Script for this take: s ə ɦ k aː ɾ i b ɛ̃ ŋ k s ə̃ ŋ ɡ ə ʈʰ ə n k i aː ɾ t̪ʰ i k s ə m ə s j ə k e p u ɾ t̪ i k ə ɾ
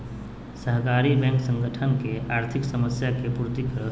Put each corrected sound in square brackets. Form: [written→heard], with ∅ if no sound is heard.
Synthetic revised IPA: s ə ɦ k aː ɾ i b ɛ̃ ŋ k s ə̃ ŋ ɡ ə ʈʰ ə n k [i→e] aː ɾ t̪ʰ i k s ə m ə s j [ə→a] k e p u ɾ t̪ i k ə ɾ

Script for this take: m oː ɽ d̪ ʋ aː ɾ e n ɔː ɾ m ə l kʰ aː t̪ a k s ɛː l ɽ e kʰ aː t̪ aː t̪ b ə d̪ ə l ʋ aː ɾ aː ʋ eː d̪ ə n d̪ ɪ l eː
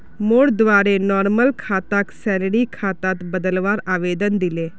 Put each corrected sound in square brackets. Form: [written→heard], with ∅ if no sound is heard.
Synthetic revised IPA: m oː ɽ d̪ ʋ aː ɾ e n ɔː ɾ m ə l kʰ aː t̪ a k s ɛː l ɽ [e→i] kʰ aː t̪ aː t̪ b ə d̪ ə l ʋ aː ɾ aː ʋ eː d̪ ə n d̪ ɪ l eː

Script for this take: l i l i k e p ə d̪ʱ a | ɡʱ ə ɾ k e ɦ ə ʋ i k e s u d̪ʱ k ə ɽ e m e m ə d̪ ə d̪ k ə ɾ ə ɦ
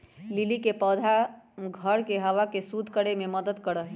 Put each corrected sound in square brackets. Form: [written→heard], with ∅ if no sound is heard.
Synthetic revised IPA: l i l i k e p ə d̪ʱ a | ɡʱ ə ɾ k e ɦ ə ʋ [i→a] k e s u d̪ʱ k ə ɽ e m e m ə d̪ ə d̪ k ə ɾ ə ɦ

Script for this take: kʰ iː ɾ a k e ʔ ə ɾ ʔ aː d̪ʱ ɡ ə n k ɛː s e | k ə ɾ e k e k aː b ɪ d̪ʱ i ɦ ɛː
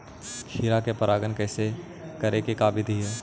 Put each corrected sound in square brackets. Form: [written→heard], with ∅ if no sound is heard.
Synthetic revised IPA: kʰ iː ɾ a k e [ʔ→p] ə ɾ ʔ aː [d̪ʱ→∅] ɡ ə n k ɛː s e | k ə ɾ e k e k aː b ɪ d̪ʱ i ɦ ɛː

